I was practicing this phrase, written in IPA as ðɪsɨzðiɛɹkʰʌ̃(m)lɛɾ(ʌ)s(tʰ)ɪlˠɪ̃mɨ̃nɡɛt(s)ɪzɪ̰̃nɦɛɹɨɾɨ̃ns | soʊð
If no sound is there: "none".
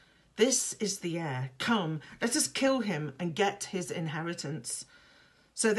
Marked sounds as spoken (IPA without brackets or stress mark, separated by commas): m, ʌ, kʰ, h